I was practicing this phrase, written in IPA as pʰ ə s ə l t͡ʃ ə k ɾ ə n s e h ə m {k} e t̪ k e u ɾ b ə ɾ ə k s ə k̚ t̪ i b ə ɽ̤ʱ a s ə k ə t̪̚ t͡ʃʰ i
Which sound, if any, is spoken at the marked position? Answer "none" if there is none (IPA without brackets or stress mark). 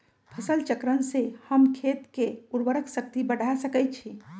kʰ